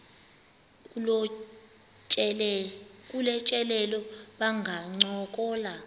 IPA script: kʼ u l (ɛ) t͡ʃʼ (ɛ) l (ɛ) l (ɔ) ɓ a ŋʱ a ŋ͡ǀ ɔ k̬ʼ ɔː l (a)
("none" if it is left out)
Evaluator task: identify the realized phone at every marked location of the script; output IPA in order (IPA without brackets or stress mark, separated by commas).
ɛ, ɛ, ɛ, ɔ, a